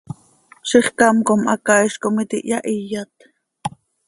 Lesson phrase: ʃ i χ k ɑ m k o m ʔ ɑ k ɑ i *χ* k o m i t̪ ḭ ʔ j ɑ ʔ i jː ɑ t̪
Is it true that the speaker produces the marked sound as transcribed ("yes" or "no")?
no